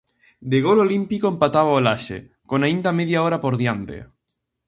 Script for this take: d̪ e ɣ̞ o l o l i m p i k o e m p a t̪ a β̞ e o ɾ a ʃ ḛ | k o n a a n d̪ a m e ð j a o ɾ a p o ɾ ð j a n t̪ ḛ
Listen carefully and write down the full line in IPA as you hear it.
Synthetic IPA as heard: d̪ e ɣ̞ o l o l i m p i k o e m p a t̪ a β̞ a o l a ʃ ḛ | k o n a i n d̪ a m e ð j a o ɾ a p o ɾ ð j a n t̪ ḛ